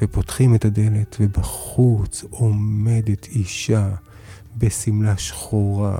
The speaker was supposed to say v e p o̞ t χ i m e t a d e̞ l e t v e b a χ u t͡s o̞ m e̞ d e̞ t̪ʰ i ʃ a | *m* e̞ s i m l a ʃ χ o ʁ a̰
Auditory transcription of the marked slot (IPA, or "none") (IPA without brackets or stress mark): b